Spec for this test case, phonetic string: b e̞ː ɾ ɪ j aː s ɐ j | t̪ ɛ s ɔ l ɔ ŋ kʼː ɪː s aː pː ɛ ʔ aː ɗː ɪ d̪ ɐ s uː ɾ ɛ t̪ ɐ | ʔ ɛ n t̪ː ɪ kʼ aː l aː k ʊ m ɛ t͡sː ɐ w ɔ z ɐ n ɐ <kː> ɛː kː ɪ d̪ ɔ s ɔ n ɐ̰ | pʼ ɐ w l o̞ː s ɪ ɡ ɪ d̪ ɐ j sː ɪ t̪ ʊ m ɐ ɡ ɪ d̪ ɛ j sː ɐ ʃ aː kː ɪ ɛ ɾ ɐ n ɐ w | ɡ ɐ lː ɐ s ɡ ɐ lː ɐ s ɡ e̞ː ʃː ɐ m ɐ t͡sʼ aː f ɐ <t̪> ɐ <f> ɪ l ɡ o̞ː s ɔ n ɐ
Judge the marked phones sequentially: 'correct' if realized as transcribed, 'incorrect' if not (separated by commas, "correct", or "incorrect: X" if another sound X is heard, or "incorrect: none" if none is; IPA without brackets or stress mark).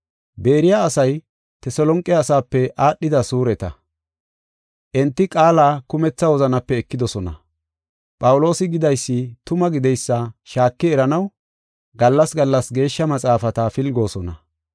incorrect: pː, correct, correct